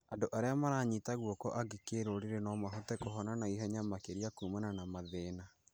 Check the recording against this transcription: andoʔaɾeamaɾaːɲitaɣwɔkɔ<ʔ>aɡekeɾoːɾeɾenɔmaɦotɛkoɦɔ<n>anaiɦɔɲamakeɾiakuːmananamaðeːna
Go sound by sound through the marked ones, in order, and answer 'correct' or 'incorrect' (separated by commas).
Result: correct, correct